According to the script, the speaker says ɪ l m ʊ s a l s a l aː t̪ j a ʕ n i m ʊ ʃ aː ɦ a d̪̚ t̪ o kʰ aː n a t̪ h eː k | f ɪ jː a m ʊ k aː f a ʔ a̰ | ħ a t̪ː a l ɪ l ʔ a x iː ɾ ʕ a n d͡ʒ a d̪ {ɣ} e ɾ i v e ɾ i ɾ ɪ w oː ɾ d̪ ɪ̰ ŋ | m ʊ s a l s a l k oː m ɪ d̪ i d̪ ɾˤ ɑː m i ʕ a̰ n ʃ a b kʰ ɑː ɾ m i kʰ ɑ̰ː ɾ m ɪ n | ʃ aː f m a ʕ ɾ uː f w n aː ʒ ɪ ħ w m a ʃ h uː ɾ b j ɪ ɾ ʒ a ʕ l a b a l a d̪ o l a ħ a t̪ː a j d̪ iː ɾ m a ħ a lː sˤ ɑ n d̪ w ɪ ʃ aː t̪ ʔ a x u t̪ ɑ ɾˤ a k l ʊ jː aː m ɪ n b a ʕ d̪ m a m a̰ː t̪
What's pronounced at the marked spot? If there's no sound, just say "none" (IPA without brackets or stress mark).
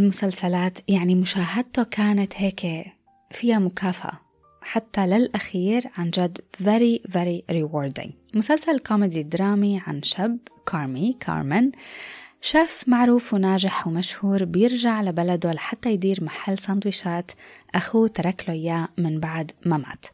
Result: v